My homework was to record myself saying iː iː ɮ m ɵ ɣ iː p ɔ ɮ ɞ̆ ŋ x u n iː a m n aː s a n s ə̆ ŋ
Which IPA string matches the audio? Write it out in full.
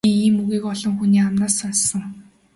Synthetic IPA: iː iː m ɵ ɣ iː k ɔ ɮ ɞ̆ ŋ x u n iː a m n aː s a n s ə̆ ŋ